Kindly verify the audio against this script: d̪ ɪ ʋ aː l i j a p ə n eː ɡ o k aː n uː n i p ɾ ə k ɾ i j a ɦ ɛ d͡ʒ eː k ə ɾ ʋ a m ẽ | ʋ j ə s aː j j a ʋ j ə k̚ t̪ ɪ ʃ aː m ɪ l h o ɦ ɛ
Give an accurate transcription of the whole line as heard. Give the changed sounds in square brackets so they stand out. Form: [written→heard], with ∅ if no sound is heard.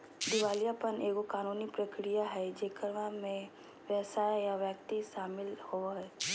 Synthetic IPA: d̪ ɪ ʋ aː l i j a p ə n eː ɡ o k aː n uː n i p ɾ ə k ɾ i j a ɦ ɛ d͡ʒ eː k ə ɾ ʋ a m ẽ | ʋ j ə s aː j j a ʋ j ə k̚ t̪ [ɪ→i] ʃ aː m ɪ l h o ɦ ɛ